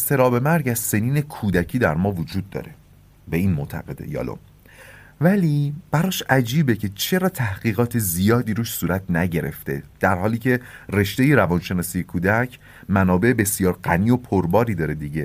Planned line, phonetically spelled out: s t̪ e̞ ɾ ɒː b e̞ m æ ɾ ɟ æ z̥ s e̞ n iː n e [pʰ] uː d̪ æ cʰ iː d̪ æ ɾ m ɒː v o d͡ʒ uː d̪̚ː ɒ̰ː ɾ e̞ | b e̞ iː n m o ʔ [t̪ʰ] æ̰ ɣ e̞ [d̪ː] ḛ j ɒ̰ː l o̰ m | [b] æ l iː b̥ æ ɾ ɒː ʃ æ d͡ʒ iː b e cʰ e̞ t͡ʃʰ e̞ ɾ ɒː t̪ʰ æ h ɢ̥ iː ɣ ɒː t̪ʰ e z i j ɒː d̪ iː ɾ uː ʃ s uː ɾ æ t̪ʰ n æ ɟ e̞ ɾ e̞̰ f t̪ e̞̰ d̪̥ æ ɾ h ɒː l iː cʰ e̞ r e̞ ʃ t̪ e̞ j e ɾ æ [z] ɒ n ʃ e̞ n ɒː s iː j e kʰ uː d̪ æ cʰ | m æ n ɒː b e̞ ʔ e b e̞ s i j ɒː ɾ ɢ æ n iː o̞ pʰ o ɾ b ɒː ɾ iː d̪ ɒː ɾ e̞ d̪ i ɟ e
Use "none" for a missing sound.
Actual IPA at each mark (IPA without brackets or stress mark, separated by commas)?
kʰ, t̪ʰ, d̪, v, v